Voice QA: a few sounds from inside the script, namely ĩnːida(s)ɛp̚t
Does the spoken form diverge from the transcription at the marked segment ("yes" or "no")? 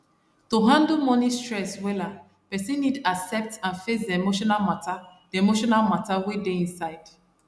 no